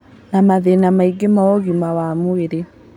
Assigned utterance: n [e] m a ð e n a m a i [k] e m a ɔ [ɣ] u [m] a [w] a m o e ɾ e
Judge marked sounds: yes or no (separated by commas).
no, no, yes, yes, yes